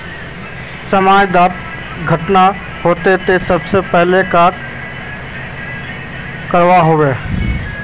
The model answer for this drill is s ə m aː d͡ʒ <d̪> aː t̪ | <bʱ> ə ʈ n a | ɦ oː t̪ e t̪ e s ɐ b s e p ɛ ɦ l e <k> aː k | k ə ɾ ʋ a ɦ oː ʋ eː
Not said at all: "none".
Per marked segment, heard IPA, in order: d̪, ɡʱ, k

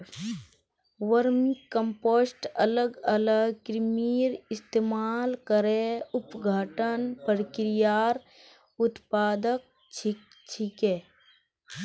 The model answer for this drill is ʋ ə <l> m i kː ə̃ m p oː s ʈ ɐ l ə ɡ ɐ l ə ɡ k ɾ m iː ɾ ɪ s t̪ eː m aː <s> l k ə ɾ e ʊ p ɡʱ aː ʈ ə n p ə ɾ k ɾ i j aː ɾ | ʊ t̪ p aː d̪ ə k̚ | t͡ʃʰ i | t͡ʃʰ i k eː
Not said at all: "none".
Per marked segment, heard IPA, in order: ɾ, none

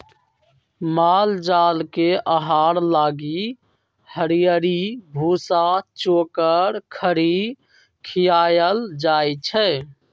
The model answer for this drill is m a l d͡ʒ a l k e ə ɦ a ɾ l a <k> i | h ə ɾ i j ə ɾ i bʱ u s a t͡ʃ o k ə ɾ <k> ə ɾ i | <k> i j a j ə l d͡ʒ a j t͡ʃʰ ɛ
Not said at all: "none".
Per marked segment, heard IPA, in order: ɡ, kʰ, kʰ

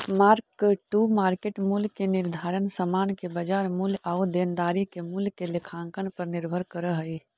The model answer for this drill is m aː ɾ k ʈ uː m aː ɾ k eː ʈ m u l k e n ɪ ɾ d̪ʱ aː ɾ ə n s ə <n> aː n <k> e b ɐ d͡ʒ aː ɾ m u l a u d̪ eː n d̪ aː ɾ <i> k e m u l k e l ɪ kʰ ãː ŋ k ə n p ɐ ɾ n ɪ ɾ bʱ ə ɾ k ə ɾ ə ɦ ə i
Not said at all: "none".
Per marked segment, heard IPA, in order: m, k, i

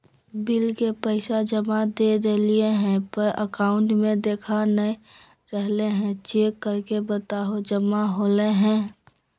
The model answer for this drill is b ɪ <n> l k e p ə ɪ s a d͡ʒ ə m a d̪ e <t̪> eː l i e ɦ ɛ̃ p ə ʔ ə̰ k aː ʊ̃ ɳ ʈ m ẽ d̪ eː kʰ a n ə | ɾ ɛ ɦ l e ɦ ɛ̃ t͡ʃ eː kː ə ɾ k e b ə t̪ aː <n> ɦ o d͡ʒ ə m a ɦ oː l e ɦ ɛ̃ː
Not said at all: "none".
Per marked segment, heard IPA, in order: none, d̪, none

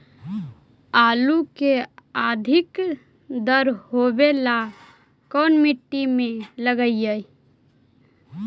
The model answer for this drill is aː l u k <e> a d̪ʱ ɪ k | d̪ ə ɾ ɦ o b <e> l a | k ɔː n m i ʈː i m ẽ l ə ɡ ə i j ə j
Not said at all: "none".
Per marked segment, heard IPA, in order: e, e

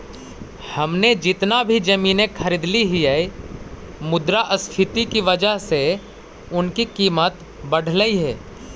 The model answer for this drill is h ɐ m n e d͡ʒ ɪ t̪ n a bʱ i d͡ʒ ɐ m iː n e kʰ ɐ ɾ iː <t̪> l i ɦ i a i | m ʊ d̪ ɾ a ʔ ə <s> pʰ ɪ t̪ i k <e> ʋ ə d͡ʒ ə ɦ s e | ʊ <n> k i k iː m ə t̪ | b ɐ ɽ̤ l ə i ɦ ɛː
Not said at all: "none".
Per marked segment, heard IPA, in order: d̪, s, i, n

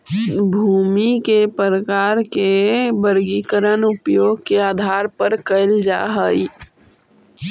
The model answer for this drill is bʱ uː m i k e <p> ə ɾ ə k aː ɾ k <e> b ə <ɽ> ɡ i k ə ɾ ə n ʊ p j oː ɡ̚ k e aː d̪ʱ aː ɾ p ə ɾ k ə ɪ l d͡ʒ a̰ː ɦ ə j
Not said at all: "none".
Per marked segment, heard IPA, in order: p, e, ɾ

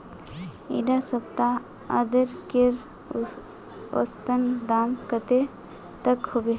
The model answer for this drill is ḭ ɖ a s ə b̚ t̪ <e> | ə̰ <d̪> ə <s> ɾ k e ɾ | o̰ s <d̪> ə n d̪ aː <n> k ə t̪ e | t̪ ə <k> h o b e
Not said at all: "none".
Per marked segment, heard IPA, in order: a, d̪, none, t̪, m, k

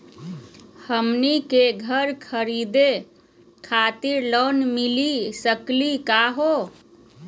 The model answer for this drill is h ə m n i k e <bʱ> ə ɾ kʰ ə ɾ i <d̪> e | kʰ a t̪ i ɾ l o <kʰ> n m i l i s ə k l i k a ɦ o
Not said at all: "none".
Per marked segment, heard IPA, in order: ɡʱ, d̪, none

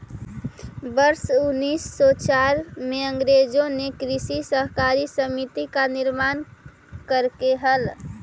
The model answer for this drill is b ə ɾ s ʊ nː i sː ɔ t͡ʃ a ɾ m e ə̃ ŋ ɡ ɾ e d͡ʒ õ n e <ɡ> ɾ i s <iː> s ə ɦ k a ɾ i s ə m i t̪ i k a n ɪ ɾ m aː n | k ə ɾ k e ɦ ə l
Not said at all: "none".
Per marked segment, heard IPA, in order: k, i

